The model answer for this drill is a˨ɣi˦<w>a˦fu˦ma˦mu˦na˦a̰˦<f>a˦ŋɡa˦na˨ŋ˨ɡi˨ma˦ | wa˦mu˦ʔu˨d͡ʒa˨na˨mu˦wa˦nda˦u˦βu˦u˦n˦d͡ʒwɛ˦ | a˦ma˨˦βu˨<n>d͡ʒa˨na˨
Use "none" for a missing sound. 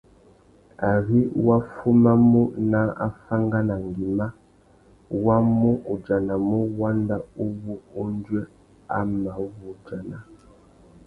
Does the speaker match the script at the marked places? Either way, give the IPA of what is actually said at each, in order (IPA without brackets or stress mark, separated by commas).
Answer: w, f, none